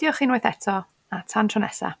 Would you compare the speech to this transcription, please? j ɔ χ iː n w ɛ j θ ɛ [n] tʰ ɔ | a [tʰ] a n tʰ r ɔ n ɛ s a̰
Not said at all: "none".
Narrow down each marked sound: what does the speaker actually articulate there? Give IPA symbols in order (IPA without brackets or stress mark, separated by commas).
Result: none, tʰ